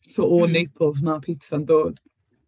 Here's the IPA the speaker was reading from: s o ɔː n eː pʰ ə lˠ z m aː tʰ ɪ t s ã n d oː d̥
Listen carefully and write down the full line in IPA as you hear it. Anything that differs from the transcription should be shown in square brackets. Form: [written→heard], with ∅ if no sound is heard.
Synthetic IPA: s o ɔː n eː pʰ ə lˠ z m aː [tʰ→pʰ] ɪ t s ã n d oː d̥